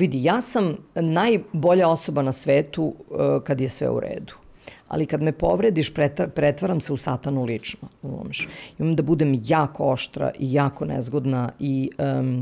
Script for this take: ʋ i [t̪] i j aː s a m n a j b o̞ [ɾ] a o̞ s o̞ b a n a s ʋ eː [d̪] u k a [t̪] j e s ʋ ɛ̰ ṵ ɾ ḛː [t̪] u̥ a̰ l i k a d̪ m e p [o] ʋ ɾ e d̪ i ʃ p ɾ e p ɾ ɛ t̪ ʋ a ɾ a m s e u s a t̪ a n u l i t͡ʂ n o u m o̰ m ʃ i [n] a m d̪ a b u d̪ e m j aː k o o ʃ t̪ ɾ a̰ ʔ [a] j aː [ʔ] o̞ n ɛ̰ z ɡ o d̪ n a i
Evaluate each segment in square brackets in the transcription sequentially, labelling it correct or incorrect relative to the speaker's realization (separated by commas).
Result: incorrect, incorrect, incorrect, incorrect, incorrect, correct, incorrect, incorrect, incorrect